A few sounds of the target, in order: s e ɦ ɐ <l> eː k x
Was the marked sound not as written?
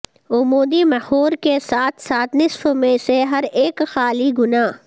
yes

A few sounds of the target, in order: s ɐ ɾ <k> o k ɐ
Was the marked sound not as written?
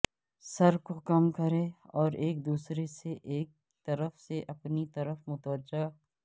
no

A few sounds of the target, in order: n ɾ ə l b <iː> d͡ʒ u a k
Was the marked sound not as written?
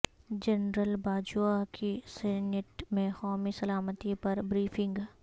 yes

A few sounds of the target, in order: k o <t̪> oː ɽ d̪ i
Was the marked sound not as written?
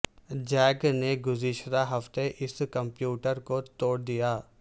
no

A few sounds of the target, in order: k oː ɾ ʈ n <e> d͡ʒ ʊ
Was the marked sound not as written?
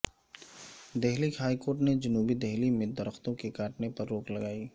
no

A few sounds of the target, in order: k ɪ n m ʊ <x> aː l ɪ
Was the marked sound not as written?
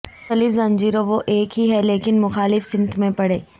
no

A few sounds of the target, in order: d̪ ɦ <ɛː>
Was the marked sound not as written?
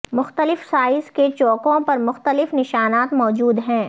yes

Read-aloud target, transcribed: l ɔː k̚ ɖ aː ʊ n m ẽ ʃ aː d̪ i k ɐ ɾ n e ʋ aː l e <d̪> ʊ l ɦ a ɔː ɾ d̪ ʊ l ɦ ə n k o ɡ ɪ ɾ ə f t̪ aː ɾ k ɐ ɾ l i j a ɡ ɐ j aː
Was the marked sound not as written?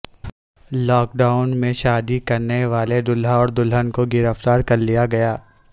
no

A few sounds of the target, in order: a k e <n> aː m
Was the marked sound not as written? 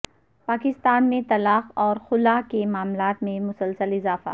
yes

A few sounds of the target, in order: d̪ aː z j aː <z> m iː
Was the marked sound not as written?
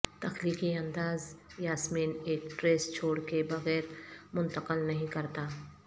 yes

